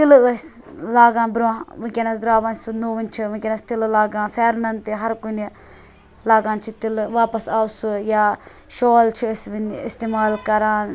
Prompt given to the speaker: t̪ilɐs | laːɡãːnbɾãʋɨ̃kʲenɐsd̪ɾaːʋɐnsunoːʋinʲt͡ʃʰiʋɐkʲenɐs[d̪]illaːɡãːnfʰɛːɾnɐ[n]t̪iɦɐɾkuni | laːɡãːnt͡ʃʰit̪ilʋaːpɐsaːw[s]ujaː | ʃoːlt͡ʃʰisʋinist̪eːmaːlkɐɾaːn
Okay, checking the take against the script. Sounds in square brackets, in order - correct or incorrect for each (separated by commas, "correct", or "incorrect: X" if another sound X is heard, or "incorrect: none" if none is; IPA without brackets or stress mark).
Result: incorrect: t̪, correct, correct